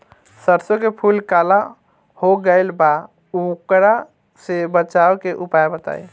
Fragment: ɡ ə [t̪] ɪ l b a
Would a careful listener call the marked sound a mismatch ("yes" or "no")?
yes